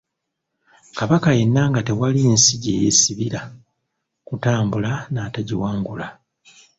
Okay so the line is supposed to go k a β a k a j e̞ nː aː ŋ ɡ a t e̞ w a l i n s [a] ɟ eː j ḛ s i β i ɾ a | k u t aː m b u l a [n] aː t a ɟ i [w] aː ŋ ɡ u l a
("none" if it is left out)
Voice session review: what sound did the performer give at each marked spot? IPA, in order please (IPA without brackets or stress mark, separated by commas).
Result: i, n, w